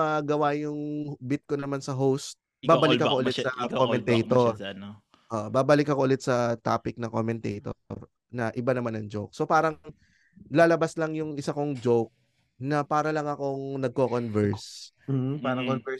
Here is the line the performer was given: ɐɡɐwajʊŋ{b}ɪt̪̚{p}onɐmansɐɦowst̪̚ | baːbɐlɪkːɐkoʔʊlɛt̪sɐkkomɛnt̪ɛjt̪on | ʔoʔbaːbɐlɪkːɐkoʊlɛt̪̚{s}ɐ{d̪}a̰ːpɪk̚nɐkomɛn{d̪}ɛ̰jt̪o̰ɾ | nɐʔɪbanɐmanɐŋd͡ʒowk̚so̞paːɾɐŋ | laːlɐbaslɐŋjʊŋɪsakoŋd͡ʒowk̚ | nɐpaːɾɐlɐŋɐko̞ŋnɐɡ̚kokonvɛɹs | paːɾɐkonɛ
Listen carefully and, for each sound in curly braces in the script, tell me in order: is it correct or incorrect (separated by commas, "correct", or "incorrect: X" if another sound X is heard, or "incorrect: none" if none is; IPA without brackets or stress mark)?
correct, incorrect: k, correct, incorrect: t̪, incorrect: t̪